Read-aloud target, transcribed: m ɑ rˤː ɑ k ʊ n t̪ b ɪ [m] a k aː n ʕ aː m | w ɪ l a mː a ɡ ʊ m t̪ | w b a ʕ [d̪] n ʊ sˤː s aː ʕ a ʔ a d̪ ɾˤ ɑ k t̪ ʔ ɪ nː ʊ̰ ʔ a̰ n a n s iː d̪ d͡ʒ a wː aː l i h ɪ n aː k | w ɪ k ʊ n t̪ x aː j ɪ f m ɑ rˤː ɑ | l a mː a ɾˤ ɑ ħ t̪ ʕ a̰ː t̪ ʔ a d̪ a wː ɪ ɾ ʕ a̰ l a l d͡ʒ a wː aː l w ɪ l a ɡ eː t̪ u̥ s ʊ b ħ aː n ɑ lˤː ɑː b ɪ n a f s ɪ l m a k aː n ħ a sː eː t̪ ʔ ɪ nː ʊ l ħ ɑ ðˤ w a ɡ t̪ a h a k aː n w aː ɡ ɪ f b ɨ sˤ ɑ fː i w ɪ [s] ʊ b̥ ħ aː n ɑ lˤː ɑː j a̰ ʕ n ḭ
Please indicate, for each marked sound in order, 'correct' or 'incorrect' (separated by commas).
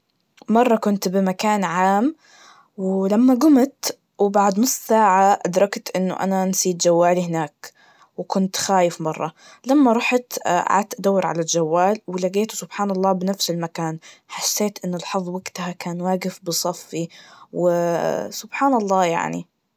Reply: correct, correct, correct